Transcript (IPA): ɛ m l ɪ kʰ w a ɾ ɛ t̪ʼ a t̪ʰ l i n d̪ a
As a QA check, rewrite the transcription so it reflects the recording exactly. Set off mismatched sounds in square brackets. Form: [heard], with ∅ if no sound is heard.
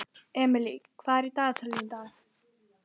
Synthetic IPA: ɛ m l [i] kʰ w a ɾ [i] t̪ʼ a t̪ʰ l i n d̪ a